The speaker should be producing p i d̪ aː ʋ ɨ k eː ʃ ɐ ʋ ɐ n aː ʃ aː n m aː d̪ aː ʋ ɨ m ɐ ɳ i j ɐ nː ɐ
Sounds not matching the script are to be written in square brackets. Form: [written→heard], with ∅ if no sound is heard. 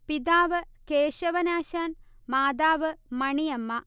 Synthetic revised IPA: p i d̪ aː ʋ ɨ k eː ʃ ɐ ʋ ɐ n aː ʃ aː n m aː d̪ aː ʋ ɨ m ɐ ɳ i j ɐ [nː→mː] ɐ